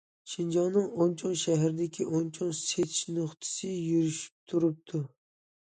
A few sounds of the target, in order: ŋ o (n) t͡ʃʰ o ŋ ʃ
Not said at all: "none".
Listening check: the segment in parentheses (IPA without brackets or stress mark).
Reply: n